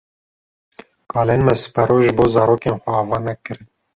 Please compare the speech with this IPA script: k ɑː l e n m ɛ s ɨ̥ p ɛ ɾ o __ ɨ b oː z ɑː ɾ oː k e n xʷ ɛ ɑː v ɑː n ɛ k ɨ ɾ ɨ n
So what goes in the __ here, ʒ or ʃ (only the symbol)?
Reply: ʒ